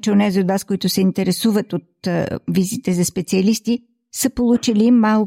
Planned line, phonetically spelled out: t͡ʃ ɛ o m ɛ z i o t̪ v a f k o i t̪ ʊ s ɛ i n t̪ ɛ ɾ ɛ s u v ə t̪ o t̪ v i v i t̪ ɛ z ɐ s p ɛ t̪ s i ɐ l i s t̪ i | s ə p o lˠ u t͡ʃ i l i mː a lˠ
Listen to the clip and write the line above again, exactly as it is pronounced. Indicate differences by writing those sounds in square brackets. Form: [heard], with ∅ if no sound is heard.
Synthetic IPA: t͡ʃ ɛ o [n] ɛ z i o [d̪] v a [s] k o i t̪ ʊ s ɛ i n t̪ ɛ ɾ ɛ s u v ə t̪ o t̪ v i [z] i t̪ ɛ z ɐ s p ɛ t̪ s i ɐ l i s t̪ i | s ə p o lˠ u t͡ʃ i l i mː a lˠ